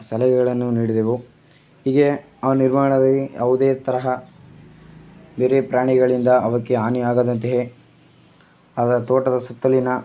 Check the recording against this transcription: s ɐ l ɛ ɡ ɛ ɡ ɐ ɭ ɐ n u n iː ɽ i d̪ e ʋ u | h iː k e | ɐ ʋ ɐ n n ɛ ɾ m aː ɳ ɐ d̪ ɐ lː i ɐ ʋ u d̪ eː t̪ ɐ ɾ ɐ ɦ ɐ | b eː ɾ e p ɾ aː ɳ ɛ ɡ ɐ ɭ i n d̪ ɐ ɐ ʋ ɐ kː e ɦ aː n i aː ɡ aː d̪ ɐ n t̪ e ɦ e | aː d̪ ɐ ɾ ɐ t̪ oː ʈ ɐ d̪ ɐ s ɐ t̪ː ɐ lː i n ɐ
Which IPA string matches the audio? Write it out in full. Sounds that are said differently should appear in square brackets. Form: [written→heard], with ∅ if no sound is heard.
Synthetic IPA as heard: s ɐ l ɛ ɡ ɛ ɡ ɐ ɭ ɐ [n→nː] u n iː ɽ i d̪ e ʋ u | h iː [k→ɡ] e | ɐ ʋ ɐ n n [ɛ→i] ɾ m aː ɳ ɐ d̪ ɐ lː i ɐ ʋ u d̪ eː t̪ ɐ ɾ ɐ ɦ ɐ | b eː ɾ e p ɾ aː ɳ [ɛ→i] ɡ ɐ ɭ i n d̪ ɐ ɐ ʋ ɐ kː e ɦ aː n i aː ɡ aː d̪ ɐ n t̪ e ɦ e | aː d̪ ɐ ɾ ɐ t̪ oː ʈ ɐ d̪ ɐ s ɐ t̪ː ɐ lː i n ɐ